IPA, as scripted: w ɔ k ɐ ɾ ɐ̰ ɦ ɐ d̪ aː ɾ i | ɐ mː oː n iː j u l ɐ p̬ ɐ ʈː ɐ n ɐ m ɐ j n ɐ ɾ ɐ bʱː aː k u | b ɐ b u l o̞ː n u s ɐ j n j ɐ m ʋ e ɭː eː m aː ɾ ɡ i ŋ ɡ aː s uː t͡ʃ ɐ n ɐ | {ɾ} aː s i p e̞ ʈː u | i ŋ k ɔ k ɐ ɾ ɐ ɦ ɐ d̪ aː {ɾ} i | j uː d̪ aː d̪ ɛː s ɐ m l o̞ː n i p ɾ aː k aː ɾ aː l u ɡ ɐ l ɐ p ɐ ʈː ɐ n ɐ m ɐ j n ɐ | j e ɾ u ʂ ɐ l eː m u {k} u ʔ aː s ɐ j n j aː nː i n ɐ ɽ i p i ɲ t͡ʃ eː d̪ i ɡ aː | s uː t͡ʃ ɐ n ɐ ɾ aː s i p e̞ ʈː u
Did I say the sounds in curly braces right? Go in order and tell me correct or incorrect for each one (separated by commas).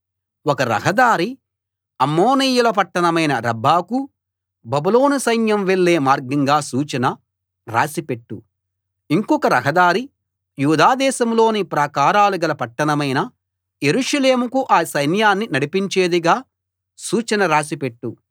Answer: correct, correct, correct